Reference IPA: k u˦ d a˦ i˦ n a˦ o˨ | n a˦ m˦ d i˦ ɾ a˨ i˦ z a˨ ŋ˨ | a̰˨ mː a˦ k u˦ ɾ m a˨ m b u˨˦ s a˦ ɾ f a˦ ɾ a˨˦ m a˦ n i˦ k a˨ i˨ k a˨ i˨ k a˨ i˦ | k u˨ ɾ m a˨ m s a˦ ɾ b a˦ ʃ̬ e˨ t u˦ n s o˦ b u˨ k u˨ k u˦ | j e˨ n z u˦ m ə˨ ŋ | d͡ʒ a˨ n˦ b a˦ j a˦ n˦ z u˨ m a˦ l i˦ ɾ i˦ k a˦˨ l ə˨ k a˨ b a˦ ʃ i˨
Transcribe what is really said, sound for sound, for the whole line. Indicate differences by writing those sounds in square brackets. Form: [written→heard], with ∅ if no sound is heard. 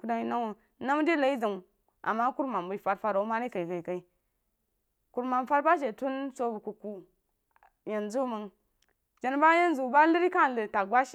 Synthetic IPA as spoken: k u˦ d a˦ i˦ n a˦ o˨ | n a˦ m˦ d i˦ [ɾ→l] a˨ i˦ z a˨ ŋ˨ | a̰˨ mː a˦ k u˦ ɾ m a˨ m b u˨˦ [s→f] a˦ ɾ f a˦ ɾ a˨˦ m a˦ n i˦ k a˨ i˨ k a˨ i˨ k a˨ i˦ | k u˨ ɾ m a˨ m [s→f] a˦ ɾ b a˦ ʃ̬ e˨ t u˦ n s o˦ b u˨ k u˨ k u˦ | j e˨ n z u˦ m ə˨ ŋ | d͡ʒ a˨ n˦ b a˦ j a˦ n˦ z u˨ [m→b] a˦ l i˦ ɾ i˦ k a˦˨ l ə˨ [k→t] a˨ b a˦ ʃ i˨

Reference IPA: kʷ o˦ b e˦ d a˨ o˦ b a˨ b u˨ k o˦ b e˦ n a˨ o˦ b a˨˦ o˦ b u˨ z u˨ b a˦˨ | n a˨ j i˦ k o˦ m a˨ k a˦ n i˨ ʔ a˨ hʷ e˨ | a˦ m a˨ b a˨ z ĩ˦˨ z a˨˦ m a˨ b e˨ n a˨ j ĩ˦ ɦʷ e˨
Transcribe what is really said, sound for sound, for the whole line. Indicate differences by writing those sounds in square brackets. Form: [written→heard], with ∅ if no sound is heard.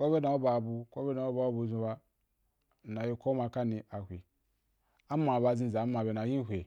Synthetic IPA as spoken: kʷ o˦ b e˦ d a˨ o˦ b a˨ b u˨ k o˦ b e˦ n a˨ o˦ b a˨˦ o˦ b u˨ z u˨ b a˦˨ | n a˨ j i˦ k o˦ m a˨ k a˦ n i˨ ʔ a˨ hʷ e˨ | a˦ m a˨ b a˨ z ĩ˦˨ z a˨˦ m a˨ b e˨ n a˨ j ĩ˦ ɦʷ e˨

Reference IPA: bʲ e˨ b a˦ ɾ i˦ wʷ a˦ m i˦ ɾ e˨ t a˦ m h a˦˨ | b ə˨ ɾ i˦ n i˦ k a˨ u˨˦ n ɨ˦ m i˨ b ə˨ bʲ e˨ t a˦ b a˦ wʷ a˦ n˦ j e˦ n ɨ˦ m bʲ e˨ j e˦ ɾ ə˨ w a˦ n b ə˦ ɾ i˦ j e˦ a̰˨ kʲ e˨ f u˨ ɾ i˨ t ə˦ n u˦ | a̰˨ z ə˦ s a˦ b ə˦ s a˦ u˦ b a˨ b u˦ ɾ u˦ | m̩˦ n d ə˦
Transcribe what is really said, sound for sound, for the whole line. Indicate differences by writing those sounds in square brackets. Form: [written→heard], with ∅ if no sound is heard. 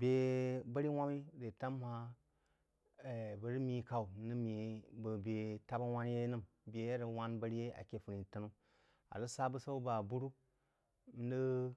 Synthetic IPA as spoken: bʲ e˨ b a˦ ɾ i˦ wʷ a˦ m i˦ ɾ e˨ t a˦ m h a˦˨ | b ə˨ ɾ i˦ [n→m] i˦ k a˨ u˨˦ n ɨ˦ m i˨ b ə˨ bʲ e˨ t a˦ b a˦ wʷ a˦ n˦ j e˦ n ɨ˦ m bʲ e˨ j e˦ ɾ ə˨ w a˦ n b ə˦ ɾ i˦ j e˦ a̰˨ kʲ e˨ f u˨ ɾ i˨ t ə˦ n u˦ | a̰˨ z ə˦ s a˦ b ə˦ s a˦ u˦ b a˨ b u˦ ɾ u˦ | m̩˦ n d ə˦

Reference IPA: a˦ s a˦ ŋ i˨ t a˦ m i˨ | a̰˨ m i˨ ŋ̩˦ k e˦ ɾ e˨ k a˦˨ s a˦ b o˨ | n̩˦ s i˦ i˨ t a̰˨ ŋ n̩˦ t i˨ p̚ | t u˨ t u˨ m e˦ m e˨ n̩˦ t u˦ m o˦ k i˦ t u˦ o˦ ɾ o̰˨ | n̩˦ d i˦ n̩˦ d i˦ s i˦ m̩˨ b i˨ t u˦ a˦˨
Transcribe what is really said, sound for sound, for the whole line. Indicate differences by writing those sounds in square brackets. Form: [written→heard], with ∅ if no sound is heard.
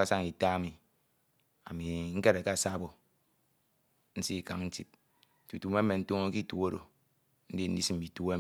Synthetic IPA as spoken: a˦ s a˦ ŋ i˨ t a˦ m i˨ | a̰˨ m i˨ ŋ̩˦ k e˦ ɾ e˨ k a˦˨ s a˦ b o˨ | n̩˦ s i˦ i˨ [t→k] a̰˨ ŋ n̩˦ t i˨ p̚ | t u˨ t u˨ m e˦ m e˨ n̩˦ t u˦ [m→ŋ] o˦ k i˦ t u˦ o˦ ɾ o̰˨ | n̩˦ d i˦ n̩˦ d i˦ s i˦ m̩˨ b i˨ t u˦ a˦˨

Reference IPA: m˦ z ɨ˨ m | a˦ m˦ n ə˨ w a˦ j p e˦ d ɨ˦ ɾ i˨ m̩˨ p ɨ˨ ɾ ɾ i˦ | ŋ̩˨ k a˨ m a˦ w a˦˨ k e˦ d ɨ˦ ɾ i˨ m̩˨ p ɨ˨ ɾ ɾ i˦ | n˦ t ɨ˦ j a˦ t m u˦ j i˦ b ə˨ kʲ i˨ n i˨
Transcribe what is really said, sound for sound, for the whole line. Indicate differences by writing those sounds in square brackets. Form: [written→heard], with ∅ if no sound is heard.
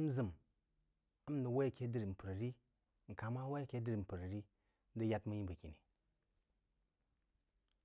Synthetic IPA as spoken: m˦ z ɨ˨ m | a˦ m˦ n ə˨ w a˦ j [p→k] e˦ d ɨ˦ ɾ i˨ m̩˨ p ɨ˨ ɾ ɾ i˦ | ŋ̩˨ k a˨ m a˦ w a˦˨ k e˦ d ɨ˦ ɾ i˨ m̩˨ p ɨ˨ ɾ ɾ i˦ | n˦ [t→d] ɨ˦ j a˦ t m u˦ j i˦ b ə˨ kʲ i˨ n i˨

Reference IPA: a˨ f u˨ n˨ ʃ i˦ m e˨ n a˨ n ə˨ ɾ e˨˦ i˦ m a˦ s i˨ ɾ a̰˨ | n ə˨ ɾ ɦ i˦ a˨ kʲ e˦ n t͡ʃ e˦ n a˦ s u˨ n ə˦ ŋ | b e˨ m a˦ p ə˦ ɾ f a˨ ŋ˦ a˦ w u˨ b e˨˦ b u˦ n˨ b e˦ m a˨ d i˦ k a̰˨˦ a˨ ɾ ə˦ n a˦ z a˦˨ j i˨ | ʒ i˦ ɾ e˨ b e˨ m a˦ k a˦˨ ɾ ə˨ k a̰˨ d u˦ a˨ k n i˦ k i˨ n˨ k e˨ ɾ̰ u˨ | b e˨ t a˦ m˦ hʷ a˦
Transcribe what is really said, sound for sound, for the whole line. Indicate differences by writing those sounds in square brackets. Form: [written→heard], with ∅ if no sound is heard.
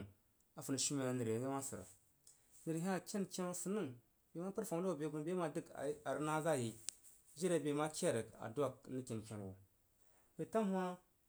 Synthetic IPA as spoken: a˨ f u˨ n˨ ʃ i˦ m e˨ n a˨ n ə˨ ɾ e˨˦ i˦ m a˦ s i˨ ɾ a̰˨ | n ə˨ ɾ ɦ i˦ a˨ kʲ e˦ n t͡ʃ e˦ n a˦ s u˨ n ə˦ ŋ | b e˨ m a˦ p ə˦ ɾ f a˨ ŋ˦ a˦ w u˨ b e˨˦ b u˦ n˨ b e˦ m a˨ d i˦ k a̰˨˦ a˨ ɾ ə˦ n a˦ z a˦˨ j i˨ | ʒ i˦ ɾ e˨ b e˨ m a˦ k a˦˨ ɾ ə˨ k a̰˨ d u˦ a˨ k n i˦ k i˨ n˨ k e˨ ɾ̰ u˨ | b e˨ t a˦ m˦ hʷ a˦

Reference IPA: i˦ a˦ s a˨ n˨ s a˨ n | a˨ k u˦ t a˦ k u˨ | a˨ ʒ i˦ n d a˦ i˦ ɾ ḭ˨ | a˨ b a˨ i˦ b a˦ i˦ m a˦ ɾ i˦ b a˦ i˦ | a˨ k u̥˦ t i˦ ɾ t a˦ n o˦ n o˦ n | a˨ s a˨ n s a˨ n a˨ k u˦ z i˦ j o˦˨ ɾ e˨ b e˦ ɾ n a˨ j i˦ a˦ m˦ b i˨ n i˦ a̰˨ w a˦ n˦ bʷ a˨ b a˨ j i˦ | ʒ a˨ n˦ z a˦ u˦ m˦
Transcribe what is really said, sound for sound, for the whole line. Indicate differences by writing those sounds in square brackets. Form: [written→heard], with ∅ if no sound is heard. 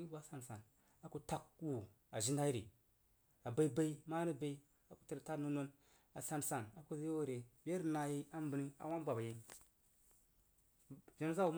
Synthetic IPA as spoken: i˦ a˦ s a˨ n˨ s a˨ n | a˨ k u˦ t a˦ k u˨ | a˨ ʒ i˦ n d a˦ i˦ ɾ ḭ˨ | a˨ b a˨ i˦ b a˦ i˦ m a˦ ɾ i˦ b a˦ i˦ | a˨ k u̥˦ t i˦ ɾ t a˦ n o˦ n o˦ n | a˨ s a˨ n s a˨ n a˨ k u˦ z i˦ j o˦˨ ɾ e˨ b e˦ ɾ n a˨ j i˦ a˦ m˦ b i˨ n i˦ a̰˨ w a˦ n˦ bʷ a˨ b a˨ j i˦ | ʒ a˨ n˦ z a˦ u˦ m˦

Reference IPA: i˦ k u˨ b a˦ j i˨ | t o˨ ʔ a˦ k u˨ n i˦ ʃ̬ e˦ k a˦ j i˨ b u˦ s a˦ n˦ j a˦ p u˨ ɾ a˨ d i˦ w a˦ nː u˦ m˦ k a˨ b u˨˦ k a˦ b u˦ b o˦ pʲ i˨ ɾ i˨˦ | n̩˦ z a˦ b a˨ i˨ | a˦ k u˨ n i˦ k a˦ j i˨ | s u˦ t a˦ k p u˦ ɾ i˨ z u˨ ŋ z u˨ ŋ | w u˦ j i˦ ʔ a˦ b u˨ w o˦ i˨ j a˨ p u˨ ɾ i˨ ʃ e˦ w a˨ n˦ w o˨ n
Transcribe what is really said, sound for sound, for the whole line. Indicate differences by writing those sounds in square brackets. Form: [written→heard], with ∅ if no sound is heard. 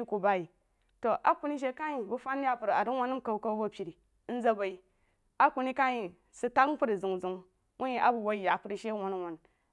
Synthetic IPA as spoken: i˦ k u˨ b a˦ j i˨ | t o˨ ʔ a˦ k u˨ n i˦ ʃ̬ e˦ k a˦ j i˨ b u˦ [s→f] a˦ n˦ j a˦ p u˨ ɾ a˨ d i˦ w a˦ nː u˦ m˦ k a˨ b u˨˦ k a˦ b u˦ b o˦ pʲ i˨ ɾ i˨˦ | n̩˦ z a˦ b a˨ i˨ | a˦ k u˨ n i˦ k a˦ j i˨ | s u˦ t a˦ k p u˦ ɾ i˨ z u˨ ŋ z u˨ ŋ | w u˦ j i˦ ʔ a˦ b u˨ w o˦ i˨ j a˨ p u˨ ɾ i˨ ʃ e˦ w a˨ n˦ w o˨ n

